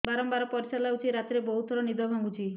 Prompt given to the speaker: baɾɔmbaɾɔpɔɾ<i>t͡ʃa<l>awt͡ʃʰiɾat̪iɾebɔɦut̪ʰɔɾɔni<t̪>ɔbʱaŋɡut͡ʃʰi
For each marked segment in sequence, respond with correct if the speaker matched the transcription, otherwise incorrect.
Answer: correct, correct, incorrect: d̪

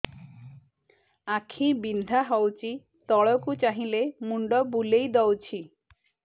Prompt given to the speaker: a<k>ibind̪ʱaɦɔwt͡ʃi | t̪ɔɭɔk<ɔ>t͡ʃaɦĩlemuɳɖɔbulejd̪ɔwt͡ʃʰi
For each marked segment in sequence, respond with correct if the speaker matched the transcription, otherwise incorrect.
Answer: incorrect: kʰ, incorrect: u

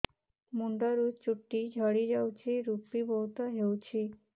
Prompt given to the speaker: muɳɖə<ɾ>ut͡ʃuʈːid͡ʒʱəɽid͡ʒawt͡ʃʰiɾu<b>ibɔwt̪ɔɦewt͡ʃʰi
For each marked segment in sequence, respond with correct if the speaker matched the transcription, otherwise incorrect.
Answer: correct, incorrect: p

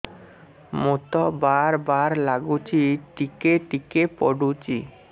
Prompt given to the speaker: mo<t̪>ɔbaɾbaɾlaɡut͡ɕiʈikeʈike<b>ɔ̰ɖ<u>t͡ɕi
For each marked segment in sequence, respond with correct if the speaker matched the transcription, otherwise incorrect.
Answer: correct, incorrect: p, correct

